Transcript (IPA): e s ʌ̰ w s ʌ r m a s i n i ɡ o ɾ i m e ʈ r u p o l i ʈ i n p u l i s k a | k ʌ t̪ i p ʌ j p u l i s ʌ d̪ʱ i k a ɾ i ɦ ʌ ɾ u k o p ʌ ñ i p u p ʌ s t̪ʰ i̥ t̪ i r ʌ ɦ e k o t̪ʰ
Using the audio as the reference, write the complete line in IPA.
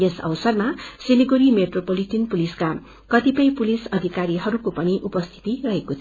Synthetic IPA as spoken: e s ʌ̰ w s ʌ r m a s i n i ɡ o ɾ i m e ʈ r o p o l i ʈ i n p u l i s k a | k ʌ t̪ i p ʌ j p u l i s ʌ d̪ʱ i k a ɾ i ɦ ʌ ɾ u k o p ʌ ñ i ʔ u p ʌ s t̪ʰ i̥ t̪ i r ʌ ɦ e k o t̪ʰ